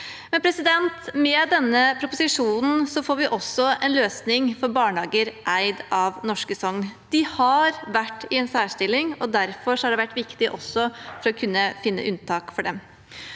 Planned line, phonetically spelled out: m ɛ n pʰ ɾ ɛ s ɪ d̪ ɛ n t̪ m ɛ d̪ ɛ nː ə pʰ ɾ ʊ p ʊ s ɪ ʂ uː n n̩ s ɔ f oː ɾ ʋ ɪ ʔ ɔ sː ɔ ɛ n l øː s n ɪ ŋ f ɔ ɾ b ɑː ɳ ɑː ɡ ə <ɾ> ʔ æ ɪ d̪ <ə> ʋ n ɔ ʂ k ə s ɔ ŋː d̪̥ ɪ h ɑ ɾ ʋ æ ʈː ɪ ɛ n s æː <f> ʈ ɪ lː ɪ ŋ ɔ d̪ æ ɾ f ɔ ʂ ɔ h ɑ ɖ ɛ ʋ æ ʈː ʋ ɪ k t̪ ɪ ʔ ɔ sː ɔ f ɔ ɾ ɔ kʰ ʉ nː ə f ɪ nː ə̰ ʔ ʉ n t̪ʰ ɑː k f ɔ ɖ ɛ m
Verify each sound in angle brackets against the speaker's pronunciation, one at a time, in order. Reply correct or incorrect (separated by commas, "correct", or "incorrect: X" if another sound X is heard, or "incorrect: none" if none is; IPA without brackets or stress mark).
correct, incorrect: ɑ, incorrect: ʂ